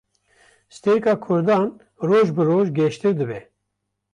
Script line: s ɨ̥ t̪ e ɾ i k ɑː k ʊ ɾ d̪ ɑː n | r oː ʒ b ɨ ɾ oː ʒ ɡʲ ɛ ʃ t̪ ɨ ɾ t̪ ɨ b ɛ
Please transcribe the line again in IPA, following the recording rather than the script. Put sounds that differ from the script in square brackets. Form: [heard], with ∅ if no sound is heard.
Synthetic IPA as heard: s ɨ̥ t̪ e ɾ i k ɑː [kʰ] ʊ ɾ d̪ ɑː n | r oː ʒ b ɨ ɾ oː ʒ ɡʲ ɛ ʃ t̪ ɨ ɾ [d̪] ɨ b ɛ